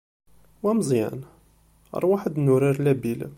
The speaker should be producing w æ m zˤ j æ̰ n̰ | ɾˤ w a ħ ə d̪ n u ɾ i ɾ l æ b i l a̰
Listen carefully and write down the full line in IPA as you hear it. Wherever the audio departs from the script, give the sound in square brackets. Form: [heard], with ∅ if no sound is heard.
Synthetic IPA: w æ m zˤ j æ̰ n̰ | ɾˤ w a ħ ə d̪ n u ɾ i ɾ l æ b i l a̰